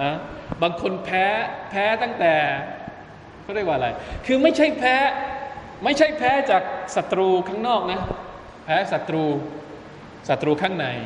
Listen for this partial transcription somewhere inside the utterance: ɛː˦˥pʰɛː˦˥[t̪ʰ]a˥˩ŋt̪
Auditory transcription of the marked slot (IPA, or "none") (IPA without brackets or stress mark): t̪